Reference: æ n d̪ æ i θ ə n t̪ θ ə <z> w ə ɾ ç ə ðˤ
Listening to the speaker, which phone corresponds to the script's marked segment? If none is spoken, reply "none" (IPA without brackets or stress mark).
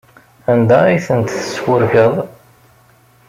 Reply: s